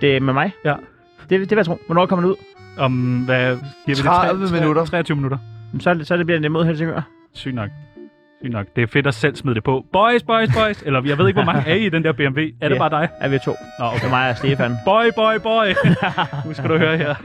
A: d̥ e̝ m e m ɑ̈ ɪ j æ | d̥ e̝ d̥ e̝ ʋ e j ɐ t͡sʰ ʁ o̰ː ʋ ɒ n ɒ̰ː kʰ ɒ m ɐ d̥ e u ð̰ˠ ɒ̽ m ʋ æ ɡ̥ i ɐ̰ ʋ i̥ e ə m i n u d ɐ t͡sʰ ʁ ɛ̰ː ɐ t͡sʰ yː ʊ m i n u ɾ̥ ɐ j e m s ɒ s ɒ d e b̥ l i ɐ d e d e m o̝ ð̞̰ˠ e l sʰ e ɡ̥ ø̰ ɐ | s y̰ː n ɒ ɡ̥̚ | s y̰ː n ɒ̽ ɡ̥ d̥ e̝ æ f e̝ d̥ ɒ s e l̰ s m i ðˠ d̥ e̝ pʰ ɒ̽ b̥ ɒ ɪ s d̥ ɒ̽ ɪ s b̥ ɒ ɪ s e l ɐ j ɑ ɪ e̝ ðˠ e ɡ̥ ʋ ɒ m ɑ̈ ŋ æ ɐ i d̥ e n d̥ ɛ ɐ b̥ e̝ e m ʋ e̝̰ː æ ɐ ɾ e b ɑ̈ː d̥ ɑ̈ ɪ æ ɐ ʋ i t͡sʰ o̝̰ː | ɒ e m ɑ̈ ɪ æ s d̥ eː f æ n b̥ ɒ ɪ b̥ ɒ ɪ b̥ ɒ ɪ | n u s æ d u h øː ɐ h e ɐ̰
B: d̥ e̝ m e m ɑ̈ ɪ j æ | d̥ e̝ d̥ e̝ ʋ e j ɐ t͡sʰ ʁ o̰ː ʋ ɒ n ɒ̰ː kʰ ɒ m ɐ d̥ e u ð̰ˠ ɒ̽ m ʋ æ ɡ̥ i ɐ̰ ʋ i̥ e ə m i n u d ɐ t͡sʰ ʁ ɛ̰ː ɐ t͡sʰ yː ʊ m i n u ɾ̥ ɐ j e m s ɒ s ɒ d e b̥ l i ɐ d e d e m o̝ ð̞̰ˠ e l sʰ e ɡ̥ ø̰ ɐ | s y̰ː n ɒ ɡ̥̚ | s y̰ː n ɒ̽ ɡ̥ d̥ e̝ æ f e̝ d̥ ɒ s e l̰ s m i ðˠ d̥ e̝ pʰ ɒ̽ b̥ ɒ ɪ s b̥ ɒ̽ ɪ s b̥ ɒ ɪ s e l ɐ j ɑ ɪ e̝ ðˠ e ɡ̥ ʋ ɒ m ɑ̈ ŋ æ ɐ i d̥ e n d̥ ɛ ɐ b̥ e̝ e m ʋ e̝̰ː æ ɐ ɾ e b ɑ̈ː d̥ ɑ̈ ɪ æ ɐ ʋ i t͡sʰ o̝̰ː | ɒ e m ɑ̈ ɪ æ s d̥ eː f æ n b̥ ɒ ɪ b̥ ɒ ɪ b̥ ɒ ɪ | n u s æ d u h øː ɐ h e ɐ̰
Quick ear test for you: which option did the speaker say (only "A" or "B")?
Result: B